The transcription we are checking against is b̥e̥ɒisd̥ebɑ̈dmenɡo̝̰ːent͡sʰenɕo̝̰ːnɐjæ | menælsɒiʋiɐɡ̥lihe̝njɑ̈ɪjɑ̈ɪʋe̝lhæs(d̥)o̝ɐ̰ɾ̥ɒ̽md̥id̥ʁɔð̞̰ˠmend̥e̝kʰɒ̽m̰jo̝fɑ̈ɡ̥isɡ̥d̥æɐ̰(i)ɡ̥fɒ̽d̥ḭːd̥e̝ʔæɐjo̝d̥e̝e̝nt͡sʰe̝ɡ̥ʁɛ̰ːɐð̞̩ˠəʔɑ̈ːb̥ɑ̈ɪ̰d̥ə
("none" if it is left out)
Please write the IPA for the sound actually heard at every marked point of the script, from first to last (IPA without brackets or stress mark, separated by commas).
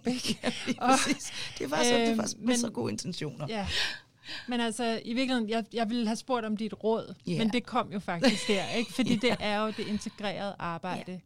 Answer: b̥, e